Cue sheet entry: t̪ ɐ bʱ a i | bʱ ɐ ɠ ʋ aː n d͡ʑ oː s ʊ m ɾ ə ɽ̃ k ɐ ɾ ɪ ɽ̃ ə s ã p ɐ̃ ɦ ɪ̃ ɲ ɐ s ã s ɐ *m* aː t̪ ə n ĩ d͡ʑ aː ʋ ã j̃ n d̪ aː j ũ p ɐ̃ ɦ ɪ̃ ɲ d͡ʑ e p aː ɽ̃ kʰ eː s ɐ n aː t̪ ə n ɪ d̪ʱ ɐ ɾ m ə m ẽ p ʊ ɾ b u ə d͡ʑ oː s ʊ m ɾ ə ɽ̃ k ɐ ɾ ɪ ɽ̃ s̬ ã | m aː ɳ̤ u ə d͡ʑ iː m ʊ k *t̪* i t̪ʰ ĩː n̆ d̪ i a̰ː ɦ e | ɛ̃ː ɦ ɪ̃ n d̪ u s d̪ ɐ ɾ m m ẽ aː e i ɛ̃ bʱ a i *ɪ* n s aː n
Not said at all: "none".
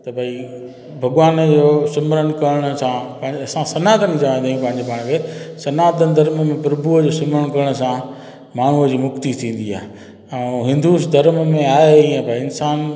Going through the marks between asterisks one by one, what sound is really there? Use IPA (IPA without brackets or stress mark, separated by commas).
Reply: n, t̪, ɪ